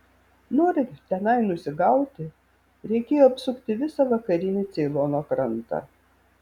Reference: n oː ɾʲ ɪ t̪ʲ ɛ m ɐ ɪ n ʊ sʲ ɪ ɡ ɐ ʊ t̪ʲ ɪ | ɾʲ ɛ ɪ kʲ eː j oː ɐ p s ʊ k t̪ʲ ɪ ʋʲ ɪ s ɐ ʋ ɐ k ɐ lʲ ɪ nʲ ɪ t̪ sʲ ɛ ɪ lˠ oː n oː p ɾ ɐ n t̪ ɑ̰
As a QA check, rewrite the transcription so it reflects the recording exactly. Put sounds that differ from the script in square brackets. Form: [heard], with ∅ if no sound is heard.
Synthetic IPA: n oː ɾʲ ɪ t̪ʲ ɛ [n] ɐ ɪ n ʊ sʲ ɪ ɡ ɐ ʊ t̪ʲ ɪ | ɾʲ ɛ ɪ kʲ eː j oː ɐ p s ʊ k t̪ʲ ɪ ʋʲ ɪ s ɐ ʋ ɐ k ɐ [ɾʲ] ɪ nʲ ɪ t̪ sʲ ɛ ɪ lˠ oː n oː [k] ɾ ɐ n t̪ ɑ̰

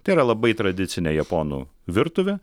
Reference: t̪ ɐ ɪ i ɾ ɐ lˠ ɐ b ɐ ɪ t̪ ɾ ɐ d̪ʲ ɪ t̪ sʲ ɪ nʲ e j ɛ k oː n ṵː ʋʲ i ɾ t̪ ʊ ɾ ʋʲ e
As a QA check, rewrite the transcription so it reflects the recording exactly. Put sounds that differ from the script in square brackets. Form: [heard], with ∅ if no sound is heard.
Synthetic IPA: t̪ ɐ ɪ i ɾ ɐ lˠ ɐ b ɐ ɪ t̪ ɾ ɐ d̪ʲ ɪ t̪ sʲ ɪ nʲ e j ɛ [p] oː n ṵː ʋʲ [ɪ] ɾ t̪ ʊ [∅] ʋʲ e

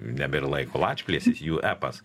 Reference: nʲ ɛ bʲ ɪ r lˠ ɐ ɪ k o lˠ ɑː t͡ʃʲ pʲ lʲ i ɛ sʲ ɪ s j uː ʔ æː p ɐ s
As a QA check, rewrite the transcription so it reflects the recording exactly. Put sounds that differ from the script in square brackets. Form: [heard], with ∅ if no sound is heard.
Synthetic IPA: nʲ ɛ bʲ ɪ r lˠ ɐ ɪ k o lˠ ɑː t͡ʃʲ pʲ lʲ i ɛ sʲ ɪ s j uː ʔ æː p ɐ s

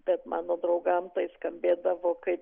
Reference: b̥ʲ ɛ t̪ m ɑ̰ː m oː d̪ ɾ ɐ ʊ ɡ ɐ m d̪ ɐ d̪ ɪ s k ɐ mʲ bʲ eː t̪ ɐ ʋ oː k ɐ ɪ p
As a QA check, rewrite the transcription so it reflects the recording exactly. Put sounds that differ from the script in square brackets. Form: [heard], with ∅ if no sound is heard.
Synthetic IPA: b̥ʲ ɛ t̪ m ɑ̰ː [n] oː d̪ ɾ ɐ ʊ ɡ ɐ m [t̪] ɐ [∅] ɪ s k ɐ mʲ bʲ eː [d̪] ɐ ʋ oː k ɐ ɪ p

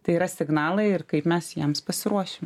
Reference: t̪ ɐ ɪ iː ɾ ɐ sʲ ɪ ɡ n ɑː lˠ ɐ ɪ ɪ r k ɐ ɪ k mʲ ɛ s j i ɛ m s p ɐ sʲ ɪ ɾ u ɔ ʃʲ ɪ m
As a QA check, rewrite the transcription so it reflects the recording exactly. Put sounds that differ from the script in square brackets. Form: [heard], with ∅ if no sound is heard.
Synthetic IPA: t̪ ɐ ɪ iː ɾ ɐ sʲ ɪ ɡ n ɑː lˠ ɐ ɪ ɪ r k ɐ ɪ [p] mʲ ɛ s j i ɛ m s p ɐ sʲ ɪ ɾ u ɔ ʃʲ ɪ m

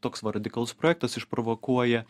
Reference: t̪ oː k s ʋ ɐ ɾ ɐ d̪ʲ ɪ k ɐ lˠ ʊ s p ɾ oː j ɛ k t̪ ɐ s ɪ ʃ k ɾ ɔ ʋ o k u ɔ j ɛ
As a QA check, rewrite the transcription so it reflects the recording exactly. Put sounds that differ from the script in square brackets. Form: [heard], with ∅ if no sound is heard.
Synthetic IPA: t̪ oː k s ʋ ɐ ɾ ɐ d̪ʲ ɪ k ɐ lˠ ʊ s p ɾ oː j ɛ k t̪ ɐ s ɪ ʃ [p] ɾ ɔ ʋ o k u ɔ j ɛ

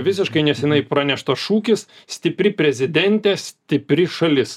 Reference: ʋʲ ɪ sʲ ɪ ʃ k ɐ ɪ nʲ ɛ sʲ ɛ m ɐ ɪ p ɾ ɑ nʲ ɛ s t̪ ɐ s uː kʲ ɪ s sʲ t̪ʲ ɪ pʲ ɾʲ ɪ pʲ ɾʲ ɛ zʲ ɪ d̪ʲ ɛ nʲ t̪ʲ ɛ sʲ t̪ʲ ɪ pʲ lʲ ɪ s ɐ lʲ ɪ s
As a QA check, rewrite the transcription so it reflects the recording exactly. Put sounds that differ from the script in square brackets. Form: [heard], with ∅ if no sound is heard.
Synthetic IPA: ʋʲ ɪ sʲ ɪ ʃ k ɐ ɪ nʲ ɛ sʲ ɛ [n] ɐ ɪ p ɾ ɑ nʲ ɛ [ʃ] t̪ ɐ [ʃ] uː kʲ ɪ s sʲ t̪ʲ ɪ pʲ ɾʲ ɪ pʲ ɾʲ ɛ zʲ ɪ d̪ʲ ɛ nʲ t̪ʲ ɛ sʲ t̪ʲ ɪ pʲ [ɾʲ] ɪ [ʃ] ɐ lʲ ɪ s

